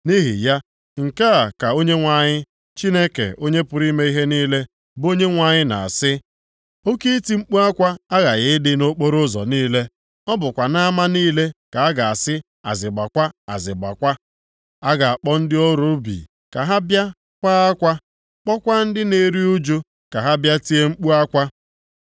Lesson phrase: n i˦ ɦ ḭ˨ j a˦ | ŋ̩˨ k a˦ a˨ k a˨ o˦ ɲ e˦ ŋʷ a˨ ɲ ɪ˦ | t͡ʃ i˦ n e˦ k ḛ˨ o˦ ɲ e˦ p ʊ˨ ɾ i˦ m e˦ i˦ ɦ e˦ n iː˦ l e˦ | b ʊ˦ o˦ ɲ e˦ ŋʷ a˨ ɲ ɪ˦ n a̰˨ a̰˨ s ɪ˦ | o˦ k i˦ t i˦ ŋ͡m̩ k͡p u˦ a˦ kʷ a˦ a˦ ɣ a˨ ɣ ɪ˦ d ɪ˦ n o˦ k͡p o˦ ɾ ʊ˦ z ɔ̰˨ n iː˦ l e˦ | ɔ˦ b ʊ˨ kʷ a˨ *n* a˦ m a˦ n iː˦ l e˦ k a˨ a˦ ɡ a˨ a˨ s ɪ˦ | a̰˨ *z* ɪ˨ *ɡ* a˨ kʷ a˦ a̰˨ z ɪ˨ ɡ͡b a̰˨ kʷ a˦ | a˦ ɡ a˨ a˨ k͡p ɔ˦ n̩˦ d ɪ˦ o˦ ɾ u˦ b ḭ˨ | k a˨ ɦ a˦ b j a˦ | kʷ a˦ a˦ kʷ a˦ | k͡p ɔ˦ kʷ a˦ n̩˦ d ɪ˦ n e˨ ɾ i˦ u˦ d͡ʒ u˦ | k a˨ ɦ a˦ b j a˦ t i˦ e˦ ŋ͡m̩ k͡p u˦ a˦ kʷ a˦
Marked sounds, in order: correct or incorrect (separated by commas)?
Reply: correct, correct, incorrect